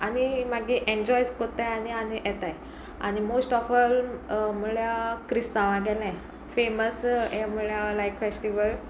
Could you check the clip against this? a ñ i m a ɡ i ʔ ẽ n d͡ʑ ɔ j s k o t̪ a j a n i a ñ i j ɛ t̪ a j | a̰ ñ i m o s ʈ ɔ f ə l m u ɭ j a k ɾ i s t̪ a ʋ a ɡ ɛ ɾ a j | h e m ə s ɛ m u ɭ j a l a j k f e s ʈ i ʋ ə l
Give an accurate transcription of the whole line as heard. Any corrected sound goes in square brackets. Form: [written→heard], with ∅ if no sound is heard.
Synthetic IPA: a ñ i m a ɡ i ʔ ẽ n d͡ʑ ɔ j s k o t̪ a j a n i a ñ i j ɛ t̪ a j | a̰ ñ i m o s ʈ ɔ f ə l m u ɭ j a k ɾ i s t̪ a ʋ a ɡ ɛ [ɾ→l] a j | [h→f] e m ə s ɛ m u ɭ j a l a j k f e s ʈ i ʋ ə l